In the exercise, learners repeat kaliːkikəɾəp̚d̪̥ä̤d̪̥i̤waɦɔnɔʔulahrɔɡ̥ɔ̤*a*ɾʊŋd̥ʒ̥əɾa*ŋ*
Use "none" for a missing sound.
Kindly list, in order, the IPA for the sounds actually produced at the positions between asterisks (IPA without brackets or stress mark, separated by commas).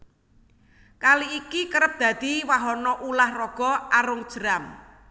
a, m